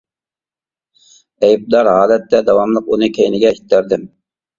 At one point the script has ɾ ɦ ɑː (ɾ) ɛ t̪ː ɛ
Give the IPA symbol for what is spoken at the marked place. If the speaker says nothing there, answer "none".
l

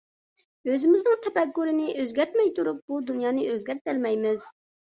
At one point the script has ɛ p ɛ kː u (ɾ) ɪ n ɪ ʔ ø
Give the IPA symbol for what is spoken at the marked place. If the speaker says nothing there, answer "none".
ɾ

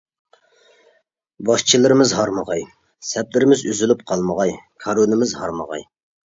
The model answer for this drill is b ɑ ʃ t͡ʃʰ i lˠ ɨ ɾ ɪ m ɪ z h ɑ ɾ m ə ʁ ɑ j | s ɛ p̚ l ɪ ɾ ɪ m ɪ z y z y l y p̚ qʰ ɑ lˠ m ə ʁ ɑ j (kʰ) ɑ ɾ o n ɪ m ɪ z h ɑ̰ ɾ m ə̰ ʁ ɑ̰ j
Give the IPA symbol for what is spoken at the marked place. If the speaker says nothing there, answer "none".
kʰ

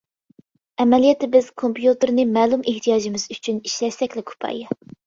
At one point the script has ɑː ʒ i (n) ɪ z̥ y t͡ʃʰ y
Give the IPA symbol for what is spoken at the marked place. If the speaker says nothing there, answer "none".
m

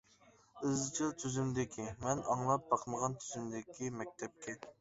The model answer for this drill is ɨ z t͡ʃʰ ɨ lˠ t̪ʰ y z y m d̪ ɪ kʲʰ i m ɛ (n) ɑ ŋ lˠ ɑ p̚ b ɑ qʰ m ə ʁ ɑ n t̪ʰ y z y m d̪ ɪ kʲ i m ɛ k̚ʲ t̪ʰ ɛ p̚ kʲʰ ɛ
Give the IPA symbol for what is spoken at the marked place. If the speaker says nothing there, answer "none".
n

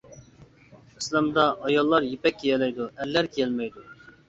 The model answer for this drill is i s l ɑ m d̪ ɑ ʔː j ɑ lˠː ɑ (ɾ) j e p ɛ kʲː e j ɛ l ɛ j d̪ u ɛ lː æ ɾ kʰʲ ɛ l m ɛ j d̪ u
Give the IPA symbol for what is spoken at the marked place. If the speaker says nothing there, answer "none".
ɾ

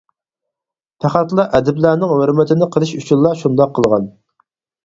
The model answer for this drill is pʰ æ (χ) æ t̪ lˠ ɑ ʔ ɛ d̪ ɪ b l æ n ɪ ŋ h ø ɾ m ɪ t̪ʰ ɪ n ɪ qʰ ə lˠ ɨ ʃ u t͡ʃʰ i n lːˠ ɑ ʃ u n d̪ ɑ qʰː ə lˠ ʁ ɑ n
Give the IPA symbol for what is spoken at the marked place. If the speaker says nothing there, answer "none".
χ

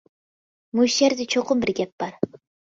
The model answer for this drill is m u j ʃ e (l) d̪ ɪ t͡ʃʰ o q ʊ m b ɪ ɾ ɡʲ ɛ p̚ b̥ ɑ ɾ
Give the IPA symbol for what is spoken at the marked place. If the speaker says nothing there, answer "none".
ɾ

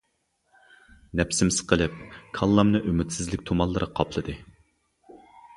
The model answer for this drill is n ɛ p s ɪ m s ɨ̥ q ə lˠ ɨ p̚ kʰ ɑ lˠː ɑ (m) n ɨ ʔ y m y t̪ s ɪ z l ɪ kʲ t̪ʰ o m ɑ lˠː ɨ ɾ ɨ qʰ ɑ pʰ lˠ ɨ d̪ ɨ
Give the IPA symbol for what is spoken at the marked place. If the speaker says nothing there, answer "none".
m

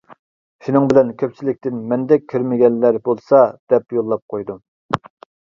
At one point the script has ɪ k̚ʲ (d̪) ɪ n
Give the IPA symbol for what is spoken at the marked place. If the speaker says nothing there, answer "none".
t̪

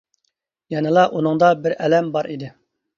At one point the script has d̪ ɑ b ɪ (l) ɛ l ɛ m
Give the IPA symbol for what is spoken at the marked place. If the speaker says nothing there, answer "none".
ɾ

